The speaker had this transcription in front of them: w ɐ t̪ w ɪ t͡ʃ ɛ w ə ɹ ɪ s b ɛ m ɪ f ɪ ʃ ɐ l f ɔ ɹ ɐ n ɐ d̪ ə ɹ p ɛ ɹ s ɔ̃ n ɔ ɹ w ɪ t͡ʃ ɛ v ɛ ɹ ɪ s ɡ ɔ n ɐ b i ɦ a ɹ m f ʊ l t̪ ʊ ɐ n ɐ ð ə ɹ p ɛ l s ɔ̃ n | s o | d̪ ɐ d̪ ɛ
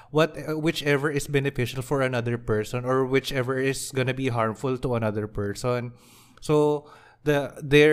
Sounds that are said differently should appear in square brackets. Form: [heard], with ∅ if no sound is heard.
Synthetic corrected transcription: w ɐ t̪ w ɪ t͡ʃ ɛ [v] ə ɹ ɪ s b ɛ [n] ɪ f ɪ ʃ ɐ l f ɔ ɹ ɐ n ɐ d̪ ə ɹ p ɛ ɹ s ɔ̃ n ɔ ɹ w ɪ t͡ʃ ɛ v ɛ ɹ ɪ s ɡ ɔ n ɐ b i ɦ a ɹ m f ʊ l t̪ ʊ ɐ n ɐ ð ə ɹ p ɛ [ɹ] s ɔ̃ n | s o | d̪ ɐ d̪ ɛ